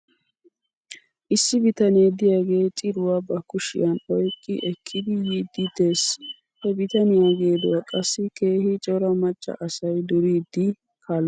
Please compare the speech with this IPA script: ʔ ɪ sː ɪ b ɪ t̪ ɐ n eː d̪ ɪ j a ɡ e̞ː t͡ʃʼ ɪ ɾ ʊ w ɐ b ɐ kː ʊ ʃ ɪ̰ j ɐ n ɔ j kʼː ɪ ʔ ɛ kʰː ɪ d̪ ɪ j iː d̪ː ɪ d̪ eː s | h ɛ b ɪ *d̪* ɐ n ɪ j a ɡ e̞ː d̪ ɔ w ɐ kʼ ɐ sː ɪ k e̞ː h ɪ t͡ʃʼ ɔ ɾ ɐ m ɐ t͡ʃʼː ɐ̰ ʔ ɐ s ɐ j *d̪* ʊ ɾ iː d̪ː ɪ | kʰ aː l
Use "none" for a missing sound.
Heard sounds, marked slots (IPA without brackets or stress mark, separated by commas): t̪, d̪